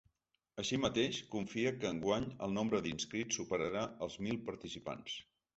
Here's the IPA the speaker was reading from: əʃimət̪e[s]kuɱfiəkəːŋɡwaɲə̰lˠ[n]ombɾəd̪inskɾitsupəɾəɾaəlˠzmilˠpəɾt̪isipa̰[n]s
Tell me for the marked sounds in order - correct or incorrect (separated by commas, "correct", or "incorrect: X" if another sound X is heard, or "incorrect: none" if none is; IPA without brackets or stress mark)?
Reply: incorrect: ʃ, correct, correct